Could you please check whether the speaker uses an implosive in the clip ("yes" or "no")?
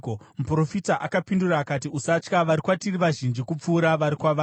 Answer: no